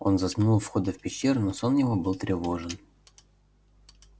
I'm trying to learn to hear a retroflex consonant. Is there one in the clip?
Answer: yes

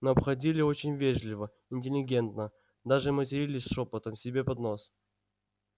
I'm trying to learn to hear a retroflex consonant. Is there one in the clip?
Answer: yes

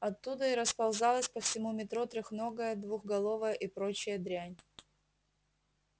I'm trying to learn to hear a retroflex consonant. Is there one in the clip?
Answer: no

